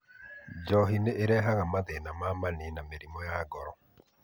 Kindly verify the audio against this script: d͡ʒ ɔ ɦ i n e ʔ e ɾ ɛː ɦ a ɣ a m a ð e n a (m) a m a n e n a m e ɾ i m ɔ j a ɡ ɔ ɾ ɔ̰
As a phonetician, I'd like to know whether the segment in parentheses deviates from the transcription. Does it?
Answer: no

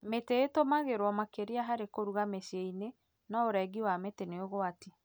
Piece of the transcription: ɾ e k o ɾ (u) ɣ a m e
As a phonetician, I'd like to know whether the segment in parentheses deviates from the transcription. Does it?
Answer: no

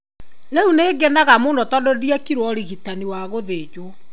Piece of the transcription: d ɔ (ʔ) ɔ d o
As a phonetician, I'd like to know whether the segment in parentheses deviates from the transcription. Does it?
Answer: yes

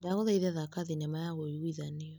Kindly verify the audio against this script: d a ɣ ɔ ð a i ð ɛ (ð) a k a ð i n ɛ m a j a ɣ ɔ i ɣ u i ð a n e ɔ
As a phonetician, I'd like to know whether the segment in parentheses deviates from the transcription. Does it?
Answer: no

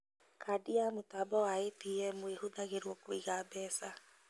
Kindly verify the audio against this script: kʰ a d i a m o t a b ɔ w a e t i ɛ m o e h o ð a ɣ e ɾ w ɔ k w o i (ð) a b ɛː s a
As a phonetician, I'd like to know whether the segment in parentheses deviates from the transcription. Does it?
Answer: yes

